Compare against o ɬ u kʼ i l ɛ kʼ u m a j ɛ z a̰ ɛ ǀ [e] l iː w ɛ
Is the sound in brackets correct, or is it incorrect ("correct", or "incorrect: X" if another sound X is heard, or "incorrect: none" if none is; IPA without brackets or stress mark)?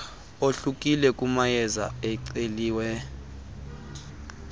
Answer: correct